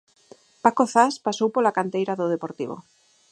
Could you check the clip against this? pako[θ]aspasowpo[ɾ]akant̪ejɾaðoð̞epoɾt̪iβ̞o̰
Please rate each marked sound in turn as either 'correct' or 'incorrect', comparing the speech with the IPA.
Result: correct, incorrect: l

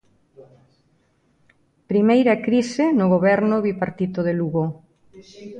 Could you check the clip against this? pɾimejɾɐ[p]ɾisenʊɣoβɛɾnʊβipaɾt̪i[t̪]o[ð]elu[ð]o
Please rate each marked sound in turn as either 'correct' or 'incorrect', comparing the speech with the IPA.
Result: incorrect: k, correct, correct, incorrect: ɣ

